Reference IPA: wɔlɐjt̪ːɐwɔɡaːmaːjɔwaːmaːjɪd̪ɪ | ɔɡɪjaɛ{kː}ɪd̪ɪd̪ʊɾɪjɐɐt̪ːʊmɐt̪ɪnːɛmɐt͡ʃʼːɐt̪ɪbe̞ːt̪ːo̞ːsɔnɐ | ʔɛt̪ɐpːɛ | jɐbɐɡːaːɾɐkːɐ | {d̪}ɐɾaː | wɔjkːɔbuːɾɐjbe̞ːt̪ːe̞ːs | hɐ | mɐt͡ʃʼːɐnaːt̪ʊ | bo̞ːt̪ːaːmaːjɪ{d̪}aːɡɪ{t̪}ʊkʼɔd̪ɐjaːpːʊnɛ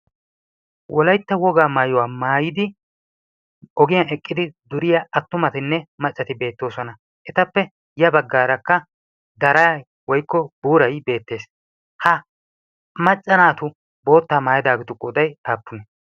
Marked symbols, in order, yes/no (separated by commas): no, yes, yes, yes